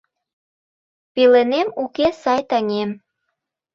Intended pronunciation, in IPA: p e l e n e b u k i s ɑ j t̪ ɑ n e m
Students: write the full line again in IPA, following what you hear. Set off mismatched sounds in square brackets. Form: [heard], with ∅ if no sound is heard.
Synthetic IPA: p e l e n e [m] u k [e] s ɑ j t̪ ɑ [ŋ] e m